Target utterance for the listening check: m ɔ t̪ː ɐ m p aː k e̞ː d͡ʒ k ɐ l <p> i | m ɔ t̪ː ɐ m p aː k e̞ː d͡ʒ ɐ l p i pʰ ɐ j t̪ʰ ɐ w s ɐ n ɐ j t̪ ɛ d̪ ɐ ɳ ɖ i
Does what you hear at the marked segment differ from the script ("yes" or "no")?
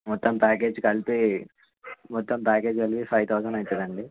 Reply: no